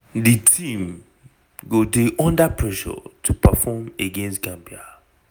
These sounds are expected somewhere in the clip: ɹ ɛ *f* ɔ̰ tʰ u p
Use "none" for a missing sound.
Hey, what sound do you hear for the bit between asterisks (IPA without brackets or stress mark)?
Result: ʃ